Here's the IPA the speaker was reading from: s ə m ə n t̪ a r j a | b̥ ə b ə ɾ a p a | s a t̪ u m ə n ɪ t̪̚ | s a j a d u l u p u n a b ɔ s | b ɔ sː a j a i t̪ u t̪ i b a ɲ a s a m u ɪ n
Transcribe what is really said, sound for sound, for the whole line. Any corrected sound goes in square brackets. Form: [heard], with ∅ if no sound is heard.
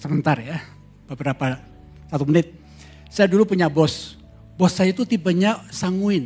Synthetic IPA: s ə m ə n t̪ a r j a | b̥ ə b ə ɾ a p a | s a t̪ u m ə n ɪ t̪̚ | s a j a d u l u p u [ɲ] a b ɔ s | b ɔ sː a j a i t̪ u t̪ i b a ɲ a s a [ŋ] u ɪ n